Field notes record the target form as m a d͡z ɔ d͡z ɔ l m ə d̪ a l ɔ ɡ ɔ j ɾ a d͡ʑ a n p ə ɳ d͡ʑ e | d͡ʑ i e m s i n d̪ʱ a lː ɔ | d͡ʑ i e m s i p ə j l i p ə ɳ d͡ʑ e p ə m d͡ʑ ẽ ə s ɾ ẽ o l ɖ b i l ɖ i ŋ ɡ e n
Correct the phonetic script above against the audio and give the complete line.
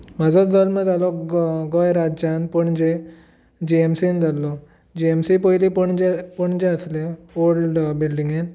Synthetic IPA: m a d͡z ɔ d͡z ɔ l m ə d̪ a l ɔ ɡ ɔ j ɾ a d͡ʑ a n p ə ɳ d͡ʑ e | d͡ʑ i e m s i n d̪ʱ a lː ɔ | d͡ʑ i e m s i p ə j l i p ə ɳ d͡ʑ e p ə ɳ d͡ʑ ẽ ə s l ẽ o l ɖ b i l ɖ i ŋ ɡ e n

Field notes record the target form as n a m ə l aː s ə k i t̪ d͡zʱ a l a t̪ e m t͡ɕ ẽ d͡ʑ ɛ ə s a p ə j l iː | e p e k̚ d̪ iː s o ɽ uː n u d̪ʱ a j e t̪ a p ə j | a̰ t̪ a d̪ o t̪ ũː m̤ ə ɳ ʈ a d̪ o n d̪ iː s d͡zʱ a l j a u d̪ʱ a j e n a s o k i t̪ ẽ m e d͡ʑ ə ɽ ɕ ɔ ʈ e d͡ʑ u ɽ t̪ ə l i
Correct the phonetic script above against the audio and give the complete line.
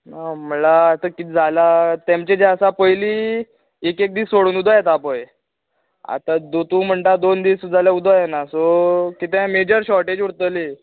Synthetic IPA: n a m ə l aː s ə k i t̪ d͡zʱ a l a t̪ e m t͡ɕ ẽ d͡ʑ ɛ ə s a p ə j l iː | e k e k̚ d̪ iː s o ɽ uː n u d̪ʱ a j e t̪ a p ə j | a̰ t̪ a d̪ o t̪ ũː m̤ ə ɳ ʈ a d̪ o n d̪ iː s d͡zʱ a l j a u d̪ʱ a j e n a s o k i t̪ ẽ m e d͡ʑ ə ɾ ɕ ɔ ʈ e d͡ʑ u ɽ t̪ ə l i

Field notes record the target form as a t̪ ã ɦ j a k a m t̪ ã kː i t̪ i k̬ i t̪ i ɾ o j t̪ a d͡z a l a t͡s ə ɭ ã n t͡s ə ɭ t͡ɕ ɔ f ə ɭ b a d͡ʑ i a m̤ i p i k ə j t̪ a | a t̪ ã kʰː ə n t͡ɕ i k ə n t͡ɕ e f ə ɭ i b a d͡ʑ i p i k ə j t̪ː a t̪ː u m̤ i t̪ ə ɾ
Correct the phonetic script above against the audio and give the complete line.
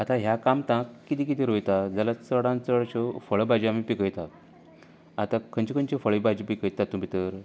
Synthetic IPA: a t̪ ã ɦ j a k a m t̪ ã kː i t̪ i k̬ i t̪ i ɾ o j t̪ a d͡z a l a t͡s ə ɽ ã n t͡s ə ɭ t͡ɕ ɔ f ə ɭ b a d͡ʑ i a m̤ i p i k ə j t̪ a | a t̪ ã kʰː ə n t͡ɕ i k ə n t͡ɕ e f ə ɭ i b a d͡ʑ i p i k ə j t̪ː a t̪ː u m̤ i t̪ ə ɾ

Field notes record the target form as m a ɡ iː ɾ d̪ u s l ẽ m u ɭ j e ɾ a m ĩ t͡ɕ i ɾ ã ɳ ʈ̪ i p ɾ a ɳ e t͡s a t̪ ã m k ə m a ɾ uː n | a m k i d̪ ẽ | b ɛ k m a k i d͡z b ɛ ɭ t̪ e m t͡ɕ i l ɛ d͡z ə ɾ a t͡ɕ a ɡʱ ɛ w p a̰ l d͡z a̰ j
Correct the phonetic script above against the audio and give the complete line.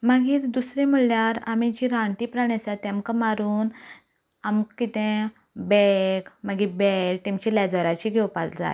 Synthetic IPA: m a ɡ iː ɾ d̪ u s ɾ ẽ m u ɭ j a ɾ a m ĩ t͡ɕ i ɾ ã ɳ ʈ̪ i p ɾ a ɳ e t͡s a t̪ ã m k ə m a ɾ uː n | a m k i t̪ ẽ | b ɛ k m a ɡ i b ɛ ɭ t̪ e m t͡ɕ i l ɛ d͡z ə ɾ a t͡ɕ i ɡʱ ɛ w p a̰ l d͡z a̰ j

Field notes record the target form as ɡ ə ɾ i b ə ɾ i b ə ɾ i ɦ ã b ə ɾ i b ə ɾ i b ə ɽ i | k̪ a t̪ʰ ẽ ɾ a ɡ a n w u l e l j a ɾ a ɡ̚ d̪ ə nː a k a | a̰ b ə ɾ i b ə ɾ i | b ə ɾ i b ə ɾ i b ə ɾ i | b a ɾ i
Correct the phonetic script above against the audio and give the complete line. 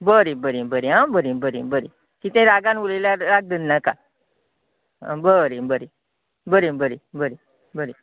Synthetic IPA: b ə ɾ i b ə ɾ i b ə ɾ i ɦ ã b ə ɾ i b ə ɾ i b ə ɾ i | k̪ i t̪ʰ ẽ ɾ a ɡ a n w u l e l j a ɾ a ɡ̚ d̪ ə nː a k a | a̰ b ə ɾ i b ə ɾ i | b ə ɾ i b ə ɾ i b ə ɾ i | b ə ɾ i

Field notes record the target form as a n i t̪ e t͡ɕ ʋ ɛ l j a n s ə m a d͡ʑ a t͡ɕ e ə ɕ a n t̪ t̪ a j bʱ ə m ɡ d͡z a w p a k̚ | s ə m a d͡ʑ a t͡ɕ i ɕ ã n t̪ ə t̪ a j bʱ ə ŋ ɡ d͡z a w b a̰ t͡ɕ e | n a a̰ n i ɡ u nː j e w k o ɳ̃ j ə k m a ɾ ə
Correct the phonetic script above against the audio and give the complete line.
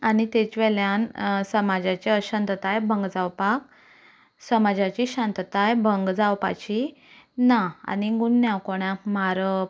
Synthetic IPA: a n i t̪ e t͡ɕ ʋ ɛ l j a n s ə m a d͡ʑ a t͡ɕ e ə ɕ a n t̪ t̪ a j bʱ ə ŋ ɡ d͡z a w p a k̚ | s ə m a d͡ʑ a t͡ɕ i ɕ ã n t̪ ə t̪ a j bʱ ə ŋ ɡ d͡z a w p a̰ t͡ɕ i | n a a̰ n i ɡ u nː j a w k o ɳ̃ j a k m a ɾ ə

